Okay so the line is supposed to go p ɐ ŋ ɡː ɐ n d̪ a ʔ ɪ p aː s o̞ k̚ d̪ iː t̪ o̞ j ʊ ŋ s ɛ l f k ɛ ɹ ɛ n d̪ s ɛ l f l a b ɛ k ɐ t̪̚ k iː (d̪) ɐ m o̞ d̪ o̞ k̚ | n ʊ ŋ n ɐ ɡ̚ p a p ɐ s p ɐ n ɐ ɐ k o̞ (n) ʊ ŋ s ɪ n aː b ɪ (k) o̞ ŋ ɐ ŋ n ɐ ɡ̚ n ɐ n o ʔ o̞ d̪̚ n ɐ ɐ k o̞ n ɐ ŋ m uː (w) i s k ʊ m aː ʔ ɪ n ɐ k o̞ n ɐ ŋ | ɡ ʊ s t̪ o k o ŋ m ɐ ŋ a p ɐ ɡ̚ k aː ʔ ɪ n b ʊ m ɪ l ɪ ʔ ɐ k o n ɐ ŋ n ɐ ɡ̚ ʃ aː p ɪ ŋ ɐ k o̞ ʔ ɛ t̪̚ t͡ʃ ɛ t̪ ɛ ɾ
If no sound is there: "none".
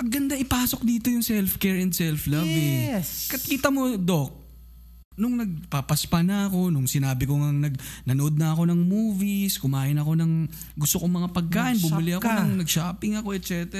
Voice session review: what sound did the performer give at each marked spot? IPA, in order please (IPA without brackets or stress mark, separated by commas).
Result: t̪, n, k, v